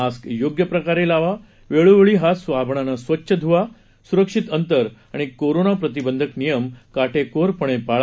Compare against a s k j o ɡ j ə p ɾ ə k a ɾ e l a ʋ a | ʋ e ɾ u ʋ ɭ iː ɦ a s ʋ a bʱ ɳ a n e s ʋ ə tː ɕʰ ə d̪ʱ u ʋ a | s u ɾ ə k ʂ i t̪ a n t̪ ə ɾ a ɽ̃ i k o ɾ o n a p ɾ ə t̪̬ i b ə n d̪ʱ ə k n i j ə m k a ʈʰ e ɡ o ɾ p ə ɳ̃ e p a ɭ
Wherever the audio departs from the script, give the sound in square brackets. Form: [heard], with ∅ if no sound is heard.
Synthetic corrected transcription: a s k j o ɡ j ə p ɾ ə k a ɾ e l a ʋ a | ʋ e [ɭ] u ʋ ɭ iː ɦ a s ʋ a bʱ ɳ a n [a] s ʋ ə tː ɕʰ ə d̪ʱ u ʋ a | s u ɾ ə k ʂ i t̪ [ə] n t̪ ə ɾ a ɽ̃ i k o ɾ o n a p ɾ ə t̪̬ i b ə n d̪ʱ ə k n i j ə m k a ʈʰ e [k] o ɾ p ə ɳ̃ e p a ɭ